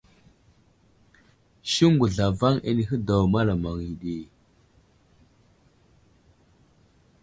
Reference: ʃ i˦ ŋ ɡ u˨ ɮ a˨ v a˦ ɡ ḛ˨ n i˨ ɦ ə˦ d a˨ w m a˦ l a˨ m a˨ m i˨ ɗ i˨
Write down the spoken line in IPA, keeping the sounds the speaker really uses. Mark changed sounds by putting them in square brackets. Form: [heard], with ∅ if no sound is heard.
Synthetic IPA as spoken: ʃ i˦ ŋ ɡ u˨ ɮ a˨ v a˦ [ŋ] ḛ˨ n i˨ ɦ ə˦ d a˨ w m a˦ l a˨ m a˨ [ŋ] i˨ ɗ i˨

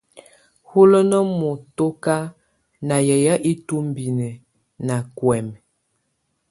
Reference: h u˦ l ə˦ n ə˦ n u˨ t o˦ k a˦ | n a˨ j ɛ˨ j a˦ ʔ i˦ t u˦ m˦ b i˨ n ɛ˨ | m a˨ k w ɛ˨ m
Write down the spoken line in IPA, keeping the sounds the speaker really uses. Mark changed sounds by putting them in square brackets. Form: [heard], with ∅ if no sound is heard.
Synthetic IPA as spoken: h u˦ l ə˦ n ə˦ [m] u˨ t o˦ k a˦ | n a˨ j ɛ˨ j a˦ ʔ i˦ t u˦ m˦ b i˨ n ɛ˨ | [n] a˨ k w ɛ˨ m

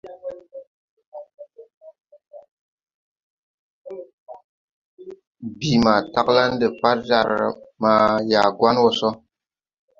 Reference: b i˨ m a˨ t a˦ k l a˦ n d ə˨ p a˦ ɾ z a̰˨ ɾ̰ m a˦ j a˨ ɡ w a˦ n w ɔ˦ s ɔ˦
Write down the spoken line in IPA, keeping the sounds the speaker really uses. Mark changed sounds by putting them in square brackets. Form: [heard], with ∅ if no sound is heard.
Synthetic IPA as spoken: b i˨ m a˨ t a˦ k l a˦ n d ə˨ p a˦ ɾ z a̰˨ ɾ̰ m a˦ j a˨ ɡ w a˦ n w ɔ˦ s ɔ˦

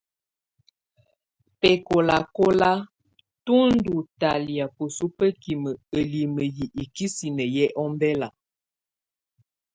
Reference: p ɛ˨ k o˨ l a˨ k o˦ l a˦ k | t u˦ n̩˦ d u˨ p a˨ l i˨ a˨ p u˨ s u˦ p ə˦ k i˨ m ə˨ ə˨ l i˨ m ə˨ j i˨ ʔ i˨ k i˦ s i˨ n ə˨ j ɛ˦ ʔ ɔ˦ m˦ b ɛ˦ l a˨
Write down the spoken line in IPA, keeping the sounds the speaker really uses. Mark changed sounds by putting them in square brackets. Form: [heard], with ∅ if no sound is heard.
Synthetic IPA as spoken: p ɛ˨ k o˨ l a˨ k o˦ l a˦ [∅] | t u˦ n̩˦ d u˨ [t] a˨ l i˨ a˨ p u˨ s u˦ p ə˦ k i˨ m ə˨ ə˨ l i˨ m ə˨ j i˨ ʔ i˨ k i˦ s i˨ n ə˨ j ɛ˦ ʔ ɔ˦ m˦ b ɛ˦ l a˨

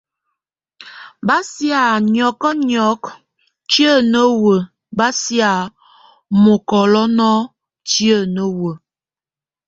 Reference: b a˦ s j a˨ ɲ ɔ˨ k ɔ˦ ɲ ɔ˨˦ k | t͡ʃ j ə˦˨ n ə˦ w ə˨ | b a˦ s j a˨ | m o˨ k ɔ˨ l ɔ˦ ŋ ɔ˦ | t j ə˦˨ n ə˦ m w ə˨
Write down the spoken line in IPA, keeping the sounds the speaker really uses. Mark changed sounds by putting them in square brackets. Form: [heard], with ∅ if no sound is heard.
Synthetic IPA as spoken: b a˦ s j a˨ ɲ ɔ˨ k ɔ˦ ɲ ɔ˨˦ k | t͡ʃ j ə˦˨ n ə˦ w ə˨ | b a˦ s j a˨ | m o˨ k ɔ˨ l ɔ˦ [n] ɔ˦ | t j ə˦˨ n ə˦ [∅] w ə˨

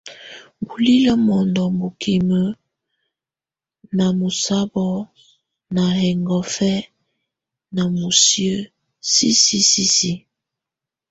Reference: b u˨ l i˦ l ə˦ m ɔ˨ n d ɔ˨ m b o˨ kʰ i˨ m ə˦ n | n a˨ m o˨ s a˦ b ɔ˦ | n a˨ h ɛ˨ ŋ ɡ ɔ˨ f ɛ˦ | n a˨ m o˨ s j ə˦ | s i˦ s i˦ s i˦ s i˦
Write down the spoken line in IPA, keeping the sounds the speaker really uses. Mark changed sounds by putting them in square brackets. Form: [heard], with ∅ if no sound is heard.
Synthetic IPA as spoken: b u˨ l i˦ l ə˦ m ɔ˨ n d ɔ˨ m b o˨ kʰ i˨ m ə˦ [∅] | n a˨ m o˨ s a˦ b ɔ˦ | n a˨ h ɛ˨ ŋ ɡ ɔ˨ f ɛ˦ | n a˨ m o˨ s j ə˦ | s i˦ s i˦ s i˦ s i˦

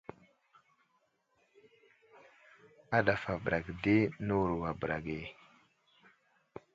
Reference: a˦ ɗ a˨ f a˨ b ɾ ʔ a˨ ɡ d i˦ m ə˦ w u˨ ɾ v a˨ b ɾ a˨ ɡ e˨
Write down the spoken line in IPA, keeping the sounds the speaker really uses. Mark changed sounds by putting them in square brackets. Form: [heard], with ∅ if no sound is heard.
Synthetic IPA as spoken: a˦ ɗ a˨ f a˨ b ɾ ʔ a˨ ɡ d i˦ [n] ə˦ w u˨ ɾ [w] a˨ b ɾ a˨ ɡ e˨

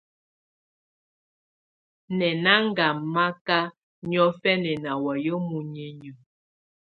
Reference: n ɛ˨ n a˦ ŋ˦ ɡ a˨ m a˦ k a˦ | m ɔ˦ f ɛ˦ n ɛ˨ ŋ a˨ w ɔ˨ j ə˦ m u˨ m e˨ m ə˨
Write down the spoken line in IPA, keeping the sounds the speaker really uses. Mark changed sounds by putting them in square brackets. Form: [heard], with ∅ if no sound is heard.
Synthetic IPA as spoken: n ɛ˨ n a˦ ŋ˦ ɡ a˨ m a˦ k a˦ | [ɲ] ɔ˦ f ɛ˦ n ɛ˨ [n] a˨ w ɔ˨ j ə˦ m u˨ [ɲ] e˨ [ɲ] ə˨

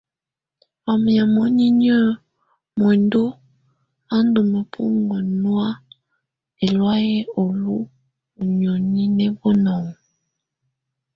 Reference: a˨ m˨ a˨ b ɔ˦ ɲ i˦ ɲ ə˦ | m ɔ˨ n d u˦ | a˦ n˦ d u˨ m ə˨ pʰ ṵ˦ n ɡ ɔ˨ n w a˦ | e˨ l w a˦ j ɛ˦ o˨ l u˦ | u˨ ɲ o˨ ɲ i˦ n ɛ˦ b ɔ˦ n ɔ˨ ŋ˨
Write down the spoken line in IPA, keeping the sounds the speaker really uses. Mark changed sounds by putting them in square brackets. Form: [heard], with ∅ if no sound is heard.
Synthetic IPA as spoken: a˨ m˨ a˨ [m] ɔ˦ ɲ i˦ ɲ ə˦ | m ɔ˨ n d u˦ | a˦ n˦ d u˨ m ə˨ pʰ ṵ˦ [ŋ] ɡ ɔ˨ n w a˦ | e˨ l w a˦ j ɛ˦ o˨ l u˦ | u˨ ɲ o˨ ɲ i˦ n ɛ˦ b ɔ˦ n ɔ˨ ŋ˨

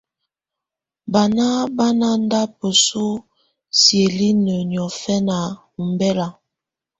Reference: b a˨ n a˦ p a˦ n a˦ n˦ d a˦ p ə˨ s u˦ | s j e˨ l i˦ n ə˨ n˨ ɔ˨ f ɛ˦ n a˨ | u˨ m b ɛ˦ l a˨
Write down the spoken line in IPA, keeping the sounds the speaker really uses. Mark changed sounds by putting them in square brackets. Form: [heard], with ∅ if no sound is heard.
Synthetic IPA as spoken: b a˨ n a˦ [b] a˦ n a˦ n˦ d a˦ p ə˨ s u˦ | s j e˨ l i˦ n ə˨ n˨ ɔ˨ f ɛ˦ n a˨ | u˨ m b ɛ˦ l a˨

